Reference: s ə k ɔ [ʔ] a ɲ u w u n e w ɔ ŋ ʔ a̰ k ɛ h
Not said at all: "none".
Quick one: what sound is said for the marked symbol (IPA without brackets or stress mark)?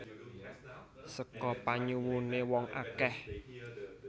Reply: p